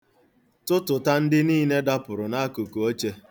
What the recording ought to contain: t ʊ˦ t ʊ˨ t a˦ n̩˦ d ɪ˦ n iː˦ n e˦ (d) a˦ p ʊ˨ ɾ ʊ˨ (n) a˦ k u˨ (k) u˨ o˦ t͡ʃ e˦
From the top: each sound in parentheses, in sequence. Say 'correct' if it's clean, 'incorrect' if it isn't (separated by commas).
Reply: correct, correct, correct